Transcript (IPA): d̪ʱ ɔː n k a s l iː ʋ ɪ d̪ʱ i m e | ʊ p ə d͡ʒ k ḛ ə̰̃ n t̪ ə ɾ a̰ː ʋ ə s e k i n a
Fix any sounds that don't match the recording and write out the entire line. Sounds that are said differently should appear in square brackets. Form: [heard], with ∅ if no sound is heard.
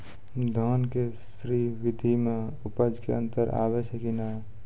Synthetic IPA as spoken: d̪ʱ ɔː n k [e] s [ɾ] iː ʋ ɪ d̪ʱ i m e | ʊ p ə d͡ʒ k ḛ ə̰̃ n t̪ ə ɾ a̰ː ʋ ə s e k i n a